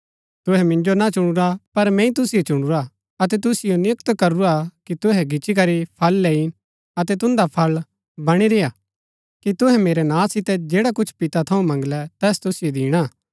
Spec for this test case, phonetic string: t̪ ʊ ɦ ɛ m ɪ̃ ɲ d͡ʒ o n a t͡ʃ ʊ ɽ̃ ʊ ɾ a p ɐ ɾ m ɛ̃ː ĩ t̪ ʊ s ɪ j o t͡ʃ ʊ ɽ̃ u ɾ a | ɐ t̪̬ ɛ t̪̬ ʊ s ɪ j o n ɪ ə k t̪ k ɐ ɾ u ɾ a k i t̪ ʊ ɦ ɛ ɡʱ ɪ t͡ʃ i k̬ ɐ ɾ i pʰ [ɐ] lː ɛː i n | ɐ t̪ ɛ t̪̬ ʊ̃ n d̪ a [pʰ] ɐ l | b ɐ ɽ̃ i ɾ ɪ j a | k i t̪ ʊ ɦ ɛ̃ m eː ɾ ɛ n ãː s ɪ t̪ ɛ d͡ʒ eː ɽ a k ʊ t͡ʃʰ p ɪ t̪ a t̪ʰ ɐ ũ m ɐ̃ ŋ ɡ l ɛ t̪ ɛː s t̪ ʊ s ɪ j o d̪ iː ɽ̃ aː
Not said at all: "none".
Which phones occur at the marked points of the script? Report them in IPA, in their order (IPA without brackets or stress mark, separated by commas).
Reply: ɐ, pʰ